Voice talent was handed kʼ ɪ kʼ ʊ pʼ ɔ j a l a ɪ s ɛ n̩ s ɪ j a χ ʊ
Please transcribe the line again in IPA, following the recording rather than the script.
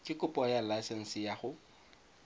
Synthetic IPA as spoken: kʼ ɪ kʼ ʊ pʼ ɔ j a l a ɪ s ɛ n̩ s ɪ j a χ ʊ